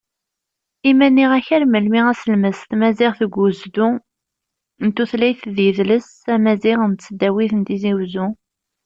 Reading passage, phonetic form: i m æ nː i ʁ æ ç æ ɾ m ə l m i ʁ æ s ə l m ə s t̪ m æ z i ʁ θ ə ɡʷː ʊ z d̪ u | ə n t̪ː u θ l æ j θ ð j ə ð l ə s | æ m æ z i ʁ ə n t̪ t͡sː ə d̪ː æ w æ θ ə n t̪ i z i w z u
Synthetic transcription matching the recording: i m æ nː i ʁ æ ç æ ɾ m ə l m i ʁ æ s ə l m ə s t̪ m æ z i ʁ θ ə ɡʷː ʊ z d̪ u | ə n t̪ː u θ l æ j θ ð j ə ð l ə s | æ m æ z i ʁ ə n t̪ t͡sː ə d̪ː æ w i θ ə n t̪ i z i w z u